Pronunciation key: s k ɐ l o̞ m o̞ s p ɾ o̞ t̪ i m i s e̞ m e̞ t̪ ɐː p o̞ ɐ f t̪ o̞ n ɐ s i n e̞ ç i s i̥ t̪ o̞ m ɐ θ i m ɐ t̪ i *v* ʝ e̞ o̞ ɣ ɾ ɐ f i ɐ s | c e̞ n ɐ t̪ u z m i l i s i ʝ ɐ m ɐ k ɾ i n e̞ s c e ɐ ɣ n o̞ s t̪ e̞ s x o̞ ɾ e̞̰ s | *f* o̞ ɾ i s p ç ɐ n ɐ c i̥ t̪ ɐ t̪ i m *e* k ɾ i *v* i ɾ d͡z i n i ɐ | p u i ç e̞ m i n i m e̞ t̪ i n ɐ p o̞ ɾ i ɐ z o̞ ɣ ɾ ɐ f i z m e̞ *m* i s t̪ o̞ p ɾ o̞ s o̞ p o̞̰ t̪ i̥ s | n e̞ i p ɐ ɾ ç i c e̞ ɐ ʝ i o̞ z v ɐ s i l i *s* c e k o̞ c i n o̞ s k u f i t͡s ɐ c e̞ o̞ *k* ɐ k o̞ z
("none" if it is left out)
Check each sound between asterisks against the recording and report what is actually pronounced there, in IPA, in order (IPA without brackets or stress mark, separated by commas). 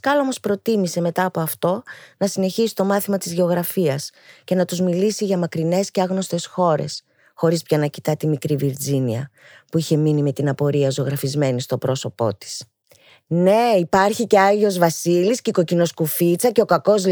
z, x, i, v, n, s, k